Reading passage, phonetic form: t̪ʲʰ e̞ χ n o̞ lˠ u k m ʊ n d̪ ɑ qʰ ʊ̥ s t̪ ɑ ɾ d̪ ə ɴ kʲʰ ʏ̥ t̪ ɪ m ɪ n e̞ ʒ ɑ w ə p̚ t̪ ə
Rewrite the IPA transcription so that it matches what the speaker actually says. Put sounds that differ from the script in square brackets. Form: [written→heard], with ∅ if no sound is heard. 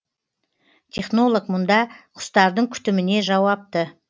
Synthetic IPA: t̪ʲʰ e̞ χ n o̞ lˠ [u→o] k m ʊ n d̪ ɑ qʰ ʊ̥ s t̪ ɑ ɾ d̪ ə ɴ kʲʰ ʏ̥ t̪ ɪ m ɪ n e̞ ʒ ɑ w [ə→ɑ] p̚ t̪ ə